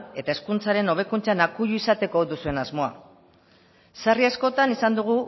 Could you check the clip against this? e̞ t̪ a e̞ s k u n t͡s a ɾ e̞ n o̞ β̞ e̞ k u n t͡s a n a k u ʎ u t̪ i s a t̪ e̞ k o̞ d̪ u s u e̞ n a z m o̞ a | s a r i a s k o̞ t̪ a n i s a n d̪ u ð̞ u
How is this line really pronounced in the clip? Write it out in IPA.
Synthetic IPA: e̞ t̪ a e̞ s k u n t͡s a ɾ e̞ n o̞ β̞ e̞ k u n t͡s a n a k u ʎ u i s a t̪ e̞ k o̞ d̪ u s u e̞ n a z m o̞ a | s a r i a s k o̞ t̪ a n i s a n d̪ u ɣ̞ u